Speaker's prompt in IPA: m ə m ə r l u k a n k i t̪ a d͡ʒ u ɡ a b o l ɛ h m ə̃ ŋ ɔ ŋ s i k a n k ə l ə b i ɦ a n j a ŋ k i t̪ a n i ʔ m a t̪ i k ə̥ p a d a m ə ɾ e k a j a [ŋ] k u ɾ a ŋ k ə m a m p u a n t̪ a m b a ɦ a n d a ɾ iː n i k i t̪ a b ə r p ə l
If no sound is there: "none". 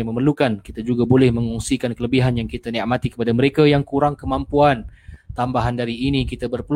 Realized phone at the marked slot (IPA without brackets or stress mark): ŋ